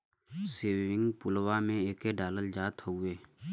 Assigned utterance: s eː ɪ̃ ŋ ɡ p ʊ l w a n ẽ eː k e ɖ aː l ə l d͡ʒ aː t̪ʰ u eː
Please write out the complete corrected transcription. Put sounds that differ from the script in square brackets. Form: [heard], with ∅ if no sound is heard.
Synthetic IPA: s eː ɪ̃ ŋ ɡ p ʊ l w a [m] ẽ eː k e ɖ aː l ə l d͡ʒ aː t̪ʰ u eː